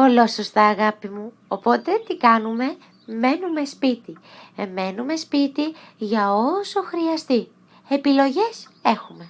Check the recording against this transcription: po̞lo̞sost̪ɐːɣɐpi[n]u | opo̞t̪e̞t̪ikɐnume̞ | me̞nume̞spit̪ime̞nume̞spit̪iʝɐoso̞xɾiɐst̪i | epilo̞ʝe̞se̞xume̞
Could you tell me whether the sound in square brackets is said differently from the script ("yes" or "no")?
yes